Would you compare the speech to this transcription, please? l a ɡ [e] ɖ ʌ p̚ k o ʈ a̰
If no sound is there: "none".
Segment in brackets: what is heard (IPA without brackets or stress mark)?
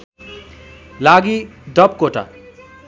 i